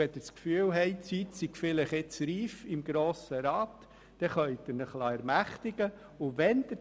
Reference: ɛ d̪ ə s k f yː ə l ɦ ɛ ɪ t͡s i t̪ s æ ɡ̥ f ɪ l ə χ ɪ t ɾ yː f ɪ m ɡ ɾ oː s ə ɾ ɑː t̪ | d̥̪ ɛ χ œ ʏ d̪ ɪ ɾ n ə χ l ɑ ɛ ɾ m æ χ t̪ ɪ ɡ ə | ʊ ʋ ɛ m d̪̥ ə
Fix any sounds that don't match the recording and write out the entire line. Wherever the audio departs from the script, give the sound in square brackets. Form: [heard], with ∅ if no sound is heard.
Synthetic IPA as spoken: ɛ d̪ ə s k f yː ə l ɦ ɛ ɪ t͡s i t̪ s [i] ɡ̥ f ɪ l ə χ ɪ [t͡s] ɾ [iː] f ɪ m ɡ ɾ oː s ə ɾ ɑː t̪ | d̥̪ ɛ χ œ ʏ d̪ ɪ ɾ n ə χ l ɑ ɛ ɾ m æ χ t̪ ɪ ɡ ə | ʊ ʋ ɛ [n] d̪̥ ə